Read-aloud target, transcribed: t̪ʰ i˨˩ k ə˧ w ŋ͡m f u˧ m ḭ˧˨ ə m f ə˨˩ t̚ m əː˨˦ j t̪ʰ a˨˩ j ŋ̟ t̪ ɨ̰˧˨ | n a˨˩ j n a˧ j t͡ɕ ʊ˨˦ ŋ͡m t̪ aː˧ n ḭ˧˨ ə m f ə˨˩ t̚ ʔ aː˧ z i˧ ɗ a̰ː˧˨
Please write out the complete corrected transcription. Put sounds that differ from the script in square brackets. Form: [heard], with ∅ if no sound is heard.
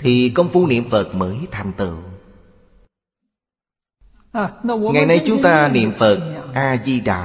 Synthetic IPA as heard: t̪ʰ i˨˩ k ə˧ w ŋ͡m f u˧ [n] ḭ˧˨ ə m f ə˨˩ t̚ m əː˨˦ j t̪ʰ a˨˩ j ŋ̟ t̪ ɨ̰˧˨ | [ŋ] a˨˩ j n a˧ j t͡ɕ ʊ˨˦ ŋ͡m t̪ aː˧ n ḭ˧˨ ə m f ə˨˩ t̚ ʔ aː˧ z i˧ ɗ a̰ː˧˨